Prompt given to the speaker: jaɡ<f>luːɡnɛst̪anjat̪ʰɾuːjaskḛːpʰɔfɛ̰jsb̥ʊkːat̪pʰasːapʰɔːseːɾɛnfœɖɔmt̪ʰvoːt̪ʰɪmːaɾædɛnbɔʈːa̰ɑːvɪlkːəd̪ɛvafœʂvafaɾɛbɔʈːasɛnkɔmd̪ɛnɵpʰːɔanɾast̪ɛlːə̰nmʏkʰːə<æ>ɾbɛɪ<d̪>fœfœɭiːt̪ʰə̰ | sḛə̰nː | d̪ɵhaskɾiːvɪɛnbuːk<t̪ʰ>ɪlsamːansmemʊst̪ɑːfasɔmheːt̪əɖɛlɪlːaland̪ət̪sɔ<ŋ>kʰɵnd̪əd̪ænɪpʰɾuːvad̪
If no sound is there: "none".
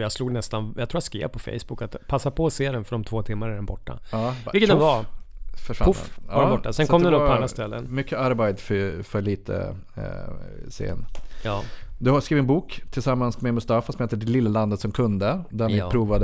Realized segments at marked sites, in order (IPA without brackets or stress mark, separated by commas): s, a, d̪, t̪ʰ, m